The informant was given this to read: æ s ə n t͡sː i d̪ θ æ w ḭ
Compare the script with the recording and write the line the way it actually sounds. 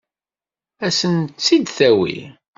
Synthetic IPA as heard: æ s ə n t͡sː i d̪ θ æ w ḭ

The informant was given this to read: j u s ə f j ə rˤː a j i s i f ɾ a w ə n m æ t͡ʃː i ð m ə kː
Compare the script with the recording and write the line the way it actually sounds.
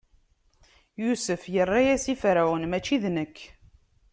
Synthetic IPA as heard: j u s ə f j ə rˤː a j æ s i f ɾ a w ə n m æ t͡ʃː i ð n ə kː

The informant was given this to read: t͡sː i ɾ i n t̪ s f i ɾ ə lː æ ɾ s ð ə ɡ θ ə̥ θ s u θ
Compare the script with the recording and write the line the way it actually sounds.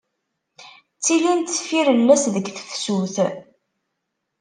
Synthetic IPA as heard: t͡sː i l i n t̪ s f i ɾ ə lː æ s ð ə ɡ θ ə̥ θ s u θ

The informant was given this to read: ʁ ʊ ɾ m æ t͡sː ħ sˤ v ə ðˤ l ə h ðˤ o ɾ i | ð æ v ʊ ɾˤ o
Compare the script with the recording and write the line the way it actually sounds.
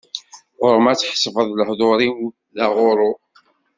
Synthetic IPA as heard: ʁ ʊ ɾ m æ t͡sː ħ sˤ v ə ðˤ l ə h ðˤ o ɾ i | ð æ ʁ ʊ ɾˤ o

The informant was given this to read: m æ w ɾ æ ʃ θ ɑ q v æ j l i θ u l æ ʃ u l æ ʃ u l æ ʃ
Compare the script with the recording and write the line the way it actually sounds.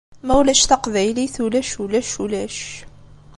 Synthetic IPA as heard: m æ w l æ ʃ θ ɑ q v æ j l i θ u l æ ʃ u l æ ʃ u l æ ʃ

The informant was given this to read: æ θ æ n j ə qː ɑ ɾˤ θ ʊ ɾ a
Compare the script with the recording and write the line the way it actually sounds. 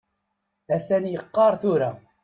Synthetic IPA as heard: æ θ æ n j ə qː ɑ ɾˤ θ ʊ ɾ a

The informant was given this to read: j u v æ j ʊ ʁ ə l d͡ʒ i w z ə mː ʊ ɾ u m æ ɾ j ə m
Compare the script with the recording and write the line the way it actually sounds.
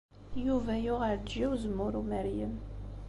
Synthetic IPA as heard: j u v æ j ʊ ʁ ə ɾ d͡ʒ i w z ə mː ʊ ɾ u m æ ɾ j ə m

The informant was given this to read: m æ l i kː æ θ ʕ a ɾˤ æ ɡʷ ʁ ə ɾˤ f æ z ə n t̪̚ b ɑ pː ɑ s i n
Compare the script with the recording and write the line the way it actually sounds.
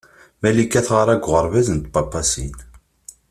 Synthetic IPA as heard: m æ l i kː æ θ ʁ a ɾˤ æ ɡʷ ʁ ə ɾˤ v æ z ə n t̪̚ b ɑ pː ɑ s i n

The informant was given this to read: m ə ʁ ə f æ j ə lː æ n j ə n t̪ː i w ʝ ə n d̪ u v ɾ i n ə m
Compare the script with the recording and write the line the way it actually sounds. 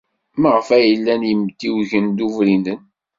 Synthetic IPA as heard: m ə ʁ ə f æ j ə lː æ n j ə m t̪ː i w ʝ ə n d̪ u v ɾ i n ə n

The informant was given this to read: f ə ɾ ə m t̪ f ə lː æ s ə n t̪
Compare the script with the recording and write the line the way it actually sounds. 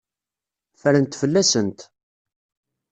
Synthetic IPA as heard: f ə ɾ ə n t̪ f ə lː æ s ə n t̪

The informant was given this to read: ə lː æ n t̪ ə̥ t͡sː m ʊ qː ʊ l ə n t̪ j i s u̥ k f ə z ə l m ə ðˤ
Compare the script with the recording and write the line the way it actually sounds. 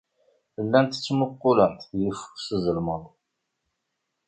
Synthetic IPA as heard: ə lː æ n t̪ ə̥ t͡sː m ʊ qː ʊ l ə n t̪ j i f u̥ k s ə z ə l m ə ðˤ

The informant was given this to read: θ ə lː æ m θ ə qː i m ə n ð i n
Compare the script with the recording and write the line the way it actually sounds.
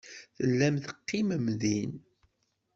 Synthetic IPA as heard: θ ə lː æ m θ ə qː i m ə m ð i n

